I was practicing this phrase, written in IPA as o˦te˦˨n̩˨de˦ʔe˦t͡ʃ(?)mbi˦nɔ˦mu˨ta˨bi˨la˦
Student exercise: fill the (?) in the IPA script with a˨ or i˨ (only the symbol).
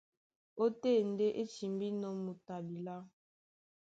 i˨